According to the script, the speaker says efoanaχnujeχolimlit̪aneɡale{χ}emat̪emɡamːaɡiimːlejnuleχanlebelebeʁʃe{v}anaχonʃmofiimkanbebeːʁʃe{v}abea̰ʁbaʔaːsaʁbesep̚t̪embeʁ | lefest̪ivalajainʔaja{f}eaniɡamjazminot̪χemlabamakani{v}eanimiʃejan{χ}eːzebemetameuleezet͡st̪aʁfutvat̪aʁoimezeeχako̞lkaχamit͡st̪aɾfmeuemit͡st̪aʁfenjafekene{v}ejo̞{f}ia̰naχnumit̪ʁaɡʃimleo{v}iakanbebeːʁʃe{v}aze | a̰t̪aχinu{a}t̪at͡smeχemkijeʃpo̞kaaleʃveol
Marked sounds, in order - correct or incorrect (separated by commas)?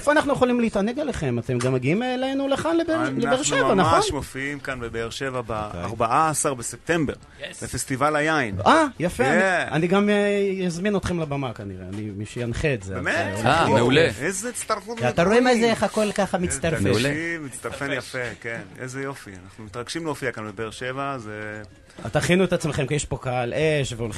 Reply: correct, correct, correct, correct, incorrect, correct, incorrect, correct, incorrect, correct, incorrect